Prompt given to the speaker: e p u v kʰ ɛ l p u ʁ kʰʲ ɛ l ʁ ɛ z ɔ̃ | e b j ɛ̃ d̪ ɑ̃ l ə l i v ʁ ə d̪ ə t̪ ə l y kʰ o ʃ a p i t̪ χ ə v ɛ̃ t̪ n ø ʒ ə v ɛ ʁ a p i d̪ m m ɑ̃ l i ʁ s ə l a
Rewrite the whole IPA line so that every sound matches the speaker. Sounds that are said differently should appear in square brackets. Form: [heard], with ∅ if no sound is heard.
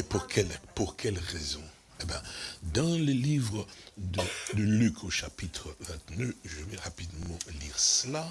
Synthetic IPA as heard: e p u [ʁ] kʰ ɛ l p u ʁ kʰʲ ɛ l ʁ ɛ z ɔ̃ | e b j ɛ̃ d̪ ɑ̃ l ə l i v ʁ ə d̪ ə [d̪] ə l y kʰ o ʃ a p i t̪ χ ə v ɛ̃ t̪ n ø ʒ ə v ɛ ʁ a p i d̪ m m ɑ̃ l i ʁ s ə l a